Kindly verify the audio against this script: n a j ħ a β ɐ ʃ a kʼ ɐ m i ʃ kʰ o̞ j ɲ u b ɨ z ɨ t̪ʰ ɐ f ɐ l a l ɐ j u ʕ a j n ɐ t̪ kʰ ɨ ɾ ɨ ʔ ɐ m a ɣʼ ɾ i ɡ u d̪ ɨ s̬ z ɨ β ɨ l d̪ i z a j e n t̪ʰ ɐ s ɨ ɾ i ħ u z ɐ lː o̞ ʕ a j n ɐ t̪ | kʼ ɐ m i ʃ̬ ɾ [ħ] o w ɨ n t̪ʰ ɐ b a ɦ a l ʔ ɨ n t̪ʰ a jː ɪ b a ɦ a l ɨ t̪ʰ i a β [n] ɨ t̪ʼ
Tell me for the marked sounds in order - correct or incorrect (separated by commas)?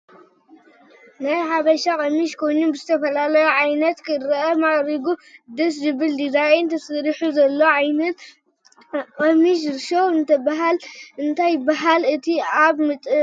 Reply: incorrect, incorrect